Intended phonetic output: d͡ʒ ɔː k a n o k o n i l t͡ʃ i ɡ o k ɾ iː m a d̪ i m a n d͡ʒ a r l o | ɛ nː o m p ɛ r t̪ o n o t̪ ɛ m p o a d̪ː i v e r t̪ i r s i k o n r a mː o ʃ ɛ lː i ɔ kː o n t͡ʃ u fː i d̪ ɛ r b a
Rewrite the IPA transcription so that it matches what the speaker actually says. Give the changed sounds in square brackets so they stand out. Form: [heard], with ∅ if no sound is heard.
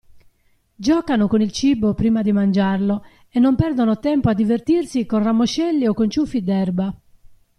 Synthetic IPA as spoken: d͡ʒ ɔː k a n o k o n i l t͡ʃ i [b] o [p] ɾ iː m a d̪ i m a n d͡ʒ a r l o | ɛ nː o m p ɛ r [d̪] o n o t̪ ɛ m p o a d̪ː i v e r t̪ i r s i k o n r a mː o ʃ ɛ lː i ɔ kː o n t͡ʃ u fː i d̪ ɛ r b a